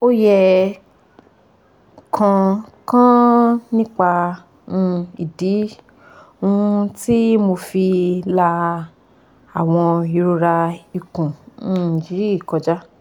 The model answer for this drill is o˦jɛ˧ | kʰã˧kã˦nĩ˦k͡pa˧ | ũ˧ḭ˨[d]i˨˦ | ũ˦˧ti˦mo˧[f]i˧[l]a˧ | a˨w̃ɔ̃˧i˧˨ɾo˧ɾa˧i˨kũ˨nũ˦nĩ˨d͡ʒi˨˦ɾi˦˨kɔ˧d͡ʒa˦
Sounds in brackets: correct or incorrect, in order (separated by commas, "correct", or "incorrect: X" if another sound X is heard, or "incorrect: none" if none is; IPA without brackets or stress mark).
correct, correct, correct